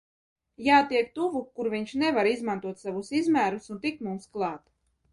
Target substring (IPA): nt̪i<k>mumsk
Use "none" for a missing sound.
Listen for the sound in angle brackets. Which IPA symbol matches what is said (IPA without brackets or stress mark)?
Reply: k